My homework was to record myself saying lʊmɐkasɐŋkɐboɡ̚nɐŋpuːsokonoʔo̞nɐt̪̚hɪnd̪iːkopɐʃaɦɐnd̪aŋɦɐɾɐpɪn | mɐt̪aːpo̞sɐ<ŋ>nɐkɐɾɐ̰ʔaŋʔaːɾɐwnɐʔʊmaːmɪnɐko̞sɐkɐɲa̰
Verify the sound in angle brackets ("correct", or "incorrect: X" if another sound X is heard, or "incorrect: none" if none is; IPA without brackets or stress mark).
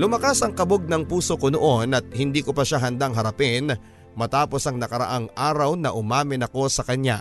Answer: correct